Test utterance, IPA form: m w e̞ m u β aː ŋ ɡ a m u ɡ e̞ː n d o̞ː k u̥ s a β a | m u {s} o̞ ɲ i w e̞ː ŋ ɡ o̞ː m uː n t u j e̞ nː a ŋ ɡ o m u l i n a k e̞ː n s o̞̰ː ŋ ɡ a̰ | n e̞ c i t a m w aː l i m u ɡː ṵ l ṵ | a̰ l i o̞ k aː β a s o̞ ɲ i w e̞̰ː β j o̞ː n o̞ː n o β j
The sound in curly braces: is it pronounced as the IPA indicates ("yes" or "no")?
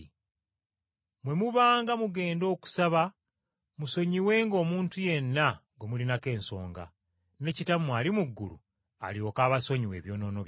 yes